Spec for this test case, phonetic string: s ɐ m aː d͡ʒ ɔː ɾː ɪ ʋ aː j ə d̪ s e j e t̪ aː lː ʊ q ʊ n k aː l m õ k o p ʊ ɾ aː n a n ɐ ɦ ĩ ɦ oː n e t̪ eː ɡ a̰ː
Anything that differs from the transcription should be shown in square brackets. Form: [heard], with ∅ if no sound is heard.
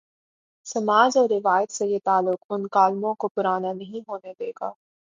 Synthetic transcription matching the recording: s ɐ m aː d͡ʒ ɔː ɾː ɪ ʋ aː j ə [t̪] s e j e t̪ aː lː ʊ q ʊ n k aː l m õ k o p ʊ ɾ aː n a n ɐ ɦ ĩ ɦ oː n e [d̪] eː ɡ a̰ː